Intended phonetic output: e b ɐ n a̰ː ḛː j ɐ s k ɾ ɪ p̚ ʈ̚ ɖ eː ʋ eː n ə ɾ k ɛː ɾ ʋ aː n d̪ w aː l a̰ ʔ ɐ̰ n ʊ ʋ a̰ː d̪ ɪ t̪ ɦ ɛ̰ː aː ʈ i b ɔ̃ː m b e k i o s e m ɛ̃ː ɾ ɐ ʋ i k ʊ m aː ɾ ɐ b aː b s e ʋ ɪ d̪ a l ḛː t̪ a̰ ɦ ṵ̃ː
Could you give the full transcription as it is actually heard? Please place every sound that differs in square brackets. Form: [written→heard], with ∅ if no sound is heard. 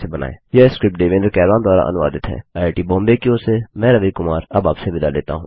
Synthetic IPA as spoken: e b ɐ n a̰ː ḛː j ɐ s k ɾ ɪ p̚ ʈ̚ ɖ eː ʋ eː n ə ɾ k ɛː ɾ ʋ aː n d̪ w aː [l→ɾ] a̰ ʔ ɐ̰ n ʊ ʋ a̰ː d̪ ɪ t̪ ɦ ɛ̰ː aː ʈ i b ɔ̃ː m b e k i o s e m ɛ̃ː ɾ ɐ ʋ i k ʊ m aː ɾ ɐ b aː [b→p] s e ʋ ɪ d̪ a l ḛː t̪ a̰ ɦ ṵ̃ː